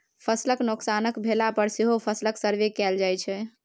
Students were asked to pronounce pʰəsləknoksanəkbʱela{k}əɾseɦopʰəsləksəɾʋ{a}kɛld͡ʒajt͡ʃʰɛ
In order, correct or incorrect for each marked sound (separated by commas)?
incorrect, incorrect